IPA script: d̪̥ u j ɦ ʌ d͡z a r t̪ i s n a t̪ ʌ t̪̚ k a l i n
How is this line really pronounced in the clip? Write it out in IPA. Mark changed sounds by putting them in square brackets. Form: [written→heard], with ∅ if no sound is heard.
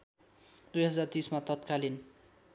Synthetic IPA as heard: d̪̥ u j ɦ ʌ d͡z a r t̪ i s [n→m] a t̪ ʌ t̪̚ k a l i n